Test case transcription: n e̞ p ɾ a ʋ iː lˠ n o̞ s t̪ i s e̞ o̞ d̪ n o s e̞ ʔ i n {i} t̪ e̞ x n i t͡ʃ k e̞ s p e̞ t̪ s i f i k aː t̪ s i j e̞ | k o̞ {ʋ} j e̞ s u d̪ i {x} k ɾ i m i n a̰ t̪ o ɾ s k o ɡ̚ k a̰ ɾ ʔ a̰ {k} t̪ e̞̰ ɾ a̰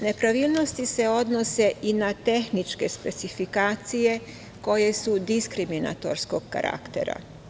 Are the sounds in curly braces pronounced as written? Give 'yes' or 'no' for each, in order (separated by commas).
no, no, no, yes